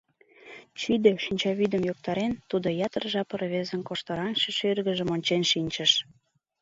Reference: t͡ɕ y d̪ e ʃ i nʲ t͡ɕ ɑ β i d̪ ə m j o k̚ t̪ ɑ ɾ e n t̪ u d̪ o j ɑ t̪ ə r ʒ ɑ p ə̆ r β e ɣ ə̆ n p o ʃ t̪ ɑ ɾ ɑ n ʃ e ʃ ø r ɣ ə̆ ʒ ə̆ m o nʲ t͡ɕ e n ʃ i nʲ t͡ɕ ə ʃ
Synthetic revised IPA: t͡ɕ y d̪ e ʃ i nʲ t͡ɕ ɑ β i d̪ ə m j o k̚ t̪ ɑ ɾ e n t̪ u d̪ o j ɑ t̪ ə r ʒ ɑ p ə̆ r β e z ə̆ n k o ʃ t̪ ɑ ɾ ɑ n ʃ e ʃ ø r ɣ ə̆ ʒ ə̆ m o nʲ t͡ɕ e n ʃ i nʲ t͡ɕ ə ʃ